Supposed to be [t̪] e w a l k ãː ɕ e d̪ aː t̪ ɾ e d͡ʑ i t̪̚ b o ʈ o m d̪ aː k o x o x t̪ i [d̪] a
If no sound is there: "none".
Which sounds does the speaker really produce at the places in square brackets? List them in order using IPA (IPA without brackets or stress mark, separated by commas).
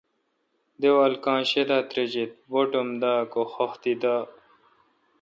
d̪, d̪